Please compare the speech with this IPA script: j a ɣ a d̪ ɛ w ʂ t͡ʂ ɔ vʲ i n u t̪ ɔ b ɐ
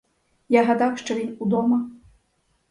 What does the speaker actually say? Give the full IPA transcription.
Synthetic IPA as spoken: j a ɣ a d̪ a w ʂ t͡ʂ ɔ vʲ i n u d̪ ɔ m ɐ